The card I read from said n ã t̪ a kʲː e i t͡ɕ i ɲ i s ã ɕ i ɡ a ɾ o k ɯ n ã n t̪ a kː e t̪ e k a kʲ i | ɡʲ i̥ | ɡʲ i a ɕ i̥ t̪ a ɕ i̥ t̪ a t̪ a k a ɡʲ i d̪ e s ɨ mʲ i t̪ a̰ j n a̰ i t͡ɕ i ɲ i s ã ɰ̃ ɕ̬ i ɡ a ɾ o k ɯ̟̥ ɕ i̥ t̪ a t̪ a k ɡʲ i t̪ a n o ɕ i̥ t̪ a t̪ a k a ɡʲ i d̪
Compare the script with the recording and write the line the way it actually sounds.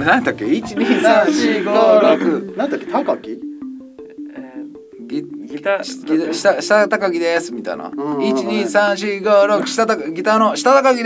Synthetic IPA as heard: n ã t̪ a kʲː e i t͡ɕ i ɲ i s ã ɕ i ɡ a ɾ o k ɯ n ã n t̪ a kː e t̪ a k a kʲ i | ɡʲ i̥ | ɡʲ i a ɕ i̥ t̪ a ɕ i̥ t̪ a t̪ a k a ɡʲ i d̪ e s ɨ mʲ i t̪ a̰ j n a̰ i t͡ɕ i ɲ i s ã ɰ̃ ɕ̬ i ɡ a ɾ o k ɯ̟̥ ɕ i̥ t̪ a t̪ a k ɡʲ i t̪ a n o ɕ i̥ t̪ a t̪ a k a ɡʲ i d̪